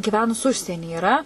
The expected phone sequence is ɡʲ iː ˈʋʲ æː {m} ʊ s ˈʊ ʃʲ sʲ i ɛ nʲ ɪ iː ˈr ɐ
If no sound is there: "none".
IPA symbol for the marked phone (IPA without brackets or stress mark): n